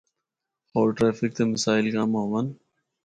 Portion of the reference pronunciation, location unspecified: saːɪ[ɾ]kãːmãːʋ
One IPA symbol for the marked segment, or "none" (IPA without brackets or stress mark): l